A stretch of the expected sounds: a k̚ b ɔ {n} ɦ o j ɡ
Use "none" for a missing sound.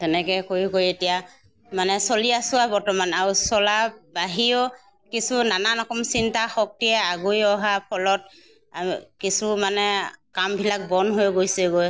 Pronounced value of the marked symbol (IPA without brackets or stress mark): n